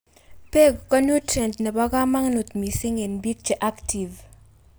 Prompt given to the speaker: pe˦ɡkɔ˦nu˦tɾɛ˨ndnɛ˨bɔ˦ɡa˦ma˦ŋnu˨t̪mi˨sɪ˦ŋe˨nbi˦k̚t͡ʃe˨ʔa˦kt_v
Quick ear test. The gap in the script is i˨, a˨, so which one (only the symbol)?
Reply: i˨